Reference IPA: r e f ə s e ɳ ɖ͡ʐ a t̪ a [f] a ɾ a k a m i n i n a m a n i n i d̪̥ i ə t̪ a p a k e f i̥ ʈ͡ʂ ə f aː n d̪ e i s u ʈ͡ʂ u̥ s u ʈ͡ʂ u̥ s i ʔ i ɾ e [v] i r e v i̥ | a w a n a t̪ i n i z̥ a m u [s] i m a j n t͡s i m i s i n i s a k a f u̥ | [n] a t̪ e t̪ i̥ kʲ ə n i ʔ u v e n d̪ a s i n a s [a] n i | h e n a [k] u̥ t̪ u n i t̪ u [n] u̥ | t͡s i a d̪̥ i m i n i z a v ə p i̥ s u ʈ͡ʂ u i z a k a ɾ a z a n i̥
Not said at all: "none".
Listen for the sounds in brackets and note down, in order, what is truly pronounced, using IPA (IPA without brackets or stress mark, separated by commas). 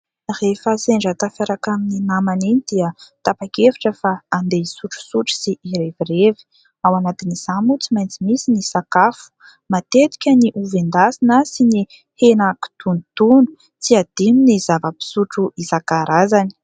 f, v, t͡s, m, i, k, n